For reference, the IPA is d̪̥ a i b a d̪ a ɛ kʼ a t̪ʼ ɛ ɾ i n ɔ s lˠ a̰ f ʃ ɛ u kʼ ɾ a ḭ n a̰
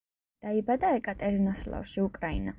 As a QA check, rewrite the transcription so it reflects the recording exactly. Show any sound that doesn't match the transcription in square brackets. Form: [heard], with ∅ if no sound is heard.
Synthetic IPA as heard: d̪̥ a i b a d̪ a ɛ kʼ a t̪ʼ ɛ ɾ i n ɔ s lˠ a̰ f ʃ [i] u kʼ ɾ a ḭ n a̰